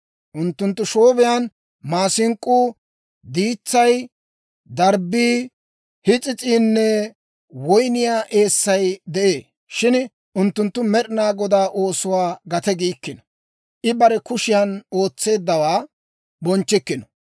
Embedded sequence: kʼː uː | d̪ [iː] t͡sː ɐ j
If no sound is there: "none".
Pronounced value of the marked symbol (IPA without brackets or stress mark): iː